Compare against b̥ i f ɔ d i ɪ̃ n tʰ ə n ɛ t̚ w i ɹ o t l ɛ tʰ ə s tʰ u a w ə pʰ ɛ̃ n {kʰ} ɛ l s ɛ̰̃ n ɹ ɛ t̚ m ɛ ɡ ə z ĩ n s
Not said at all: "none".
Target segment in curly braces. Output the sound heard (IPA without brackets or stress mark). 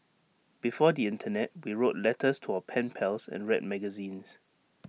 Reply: pʰ